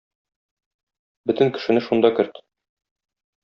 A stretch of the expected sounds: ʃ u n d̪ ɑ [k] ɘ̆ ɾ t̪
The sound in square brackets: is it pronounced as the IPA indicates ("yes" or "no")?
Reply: yes